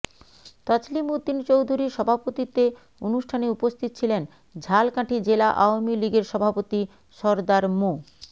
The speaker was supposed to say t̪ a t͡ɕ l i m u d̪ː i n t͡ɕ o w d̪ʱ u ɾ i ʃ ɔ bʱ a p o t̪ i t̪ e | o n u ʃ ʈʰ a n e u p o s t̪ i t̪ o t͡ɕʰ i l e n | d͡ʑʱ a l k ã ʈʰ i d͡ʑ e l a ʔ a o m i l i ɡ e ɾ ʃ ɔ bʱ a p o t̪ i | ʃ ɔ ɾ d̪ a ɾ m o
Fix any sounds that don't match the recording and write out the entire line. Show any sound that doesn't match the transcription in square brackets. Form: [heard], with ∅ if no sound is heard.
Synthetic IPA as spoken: t̪ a t͡ɕ l i m u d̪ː i n t͡ɕ o w d̪ʱ u ɾ i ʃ ɔ bʱ a p o t̪ i t̪ e | o n u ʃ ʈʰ a n e u p o s [t̪ʰ] i t̪ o t͡ɕʰ i l e n | d͡ʑʱ a l k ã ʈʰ i d͡ʑ e l a ʔ a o m i l i ɡ e ɾ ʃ ɔ bʱ a p o t̪ i | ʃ ɔ ɾ d̪ a ɾ m o